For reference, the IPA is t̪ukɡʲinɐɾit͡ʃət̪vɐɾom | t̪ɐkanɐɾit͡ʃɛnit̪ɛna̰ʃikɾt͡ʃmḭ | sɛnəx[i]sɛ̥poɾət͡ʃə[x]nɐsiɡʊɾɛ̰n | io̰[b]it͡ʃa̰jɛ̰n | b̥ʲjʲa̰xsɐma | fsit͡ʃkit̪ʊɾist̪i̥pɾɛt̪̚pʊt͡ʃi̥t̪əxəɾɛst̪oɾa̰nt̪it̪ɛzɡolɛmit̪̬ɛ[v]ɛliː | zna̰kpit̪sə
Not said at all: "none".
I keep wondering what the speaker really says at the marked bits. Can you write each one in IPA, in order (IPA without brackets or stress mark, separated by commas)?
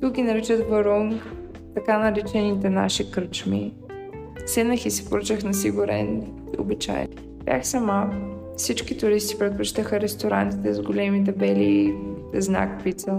i, x, b, b